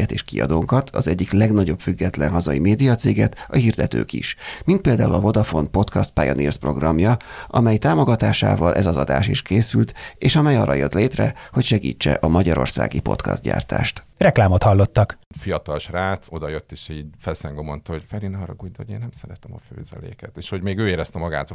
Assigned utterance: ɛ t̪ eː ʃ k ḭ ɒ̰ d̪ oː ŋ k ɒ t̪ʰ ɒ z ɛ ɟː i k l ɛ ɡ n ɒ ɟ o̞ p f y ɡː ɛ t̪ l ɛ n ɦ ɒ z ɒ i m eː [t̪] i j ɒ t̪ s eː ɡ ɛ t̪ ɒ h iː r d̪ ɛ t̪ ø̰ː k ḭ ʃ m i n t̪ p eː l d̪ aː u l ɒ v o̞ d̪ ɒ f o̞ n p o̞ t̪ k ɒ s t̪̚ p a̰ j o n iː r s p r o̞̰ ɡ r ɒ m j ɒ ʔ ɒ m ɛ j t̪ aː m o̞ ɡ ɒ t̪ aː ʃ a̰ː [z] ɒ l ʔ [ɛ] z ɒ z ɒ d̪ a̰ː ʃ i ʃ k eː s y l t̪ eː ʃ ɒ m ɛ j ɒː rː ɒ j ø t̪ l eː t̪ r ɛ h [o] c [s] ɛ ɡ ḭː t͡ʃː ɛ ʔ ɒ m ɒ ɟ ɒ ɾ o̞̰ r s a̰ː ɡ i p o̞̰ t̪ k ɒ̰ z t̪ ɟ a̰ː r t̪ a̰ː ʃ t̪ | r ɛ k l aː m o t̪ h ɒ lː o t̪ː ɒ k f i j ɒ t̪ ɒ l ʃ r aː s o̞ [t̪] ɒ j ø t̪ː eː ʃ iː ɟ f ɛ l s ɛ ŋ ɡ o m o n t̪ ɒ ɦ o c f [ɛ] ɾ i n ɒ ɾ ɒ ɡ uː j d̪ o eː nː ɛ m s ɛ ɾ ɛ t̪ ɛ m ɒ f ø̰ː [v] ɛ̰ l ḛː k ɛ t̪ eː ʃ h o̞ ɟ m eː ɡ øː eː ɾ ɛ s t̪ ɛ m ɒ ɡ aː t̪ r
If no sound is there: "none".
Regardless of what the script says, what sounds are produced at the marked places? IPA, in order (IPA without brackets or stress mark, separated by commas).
d̪, v, ɛ, o, ʃ, d̪, ɛ, z